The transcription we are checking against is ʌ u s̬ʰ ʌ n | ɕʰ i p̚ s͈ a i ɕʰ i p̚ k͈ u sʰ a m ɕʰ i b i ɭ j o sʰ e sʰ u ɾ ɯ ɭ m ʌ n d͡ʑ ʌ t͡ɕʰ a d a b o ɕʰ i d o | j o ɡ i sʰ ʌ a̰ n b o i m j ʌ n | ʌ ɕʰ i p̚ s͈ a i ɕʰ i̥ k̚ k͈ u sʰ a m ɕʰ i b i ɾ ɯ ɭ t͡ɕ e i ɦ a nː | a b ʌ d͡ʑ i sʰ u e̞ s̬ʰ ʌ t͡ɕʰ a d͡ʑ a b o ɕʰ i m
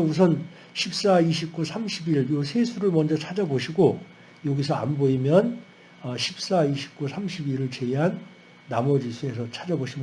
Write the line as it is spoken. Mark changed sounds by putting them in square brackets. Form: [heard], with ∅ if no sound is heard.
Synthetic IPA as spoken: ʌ u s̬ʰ ʌ n | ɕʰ i p̚ s͈ a i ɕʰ i p̚ k͈ u sʰ a m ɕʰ i b i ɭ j o sʰ e sʰ u ɾ ɯ ɭ m ʌ n d͡ʑ ʌ t͡ɕʰ a [d͡ʑ] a b o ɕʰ i [ɡ] o | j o ɡ i sʰ ʌ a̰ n b o i m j ʌ n | ʌ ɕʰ i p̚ s͈ a i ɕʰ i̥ [p̚] k͈ u sʰ a m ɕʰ i b i ɾ ɯ ɭ t͡ɕ e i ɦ a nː | a [m] ʌ d͡ʑ i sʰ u e̞ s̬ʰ ʌ t͡ɕʰ a d͡ʑ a b o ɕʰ i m